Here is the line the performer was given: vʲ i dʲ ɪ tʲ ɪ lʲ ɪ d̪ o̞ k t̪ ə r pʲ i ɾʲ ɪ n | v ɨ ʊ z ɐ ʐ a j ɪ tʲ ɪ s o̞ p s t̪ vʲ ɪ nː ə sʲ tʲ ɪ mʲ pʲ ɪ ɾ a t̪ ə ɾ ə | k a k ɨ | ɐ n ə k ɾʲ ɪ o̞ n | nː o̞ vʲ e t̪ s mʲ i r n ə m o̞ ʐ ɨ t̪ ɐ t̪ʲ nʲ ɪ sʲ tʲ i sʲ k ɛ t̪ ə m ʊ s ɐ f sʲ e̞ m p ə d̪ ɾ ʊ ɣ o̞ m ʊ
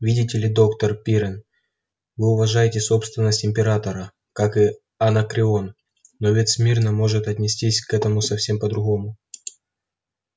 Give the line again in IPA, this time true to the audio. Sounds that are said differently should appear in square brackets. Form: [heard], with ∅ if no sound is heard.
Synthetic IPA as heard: vʲ i dʲ ɪ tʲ ɪ lʲ ɪ d̪ o̞ k t̪ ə r pʲ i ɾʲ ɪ n | v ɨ ʊ [v] ɐ ʐ a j ɪ tʲ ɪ s o̞ p s t̪ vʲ ɪ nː ə sʲ tʲ ɪ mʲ pʲ ɪ ɾ a t̪ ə ɾ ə | k a k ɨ | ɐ n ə k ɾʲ ɪ o̞ n | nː o̞ vʲ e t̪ s mʲ i r n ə m o̞ ʐ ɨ t̪ ɐ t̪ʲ nʲ ɪ sʲ tʲ i sʲ k ɛ t̪ ə m ʊ s ɐ f sʲ e̞ m p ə d̪ ɾ ʊ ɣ o̞ m ʊ